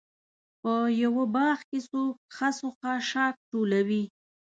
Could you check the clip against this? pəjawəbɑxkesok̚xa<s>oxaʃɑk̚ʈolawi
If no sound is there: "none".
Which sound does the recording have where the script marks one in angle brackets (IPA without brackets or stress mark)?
s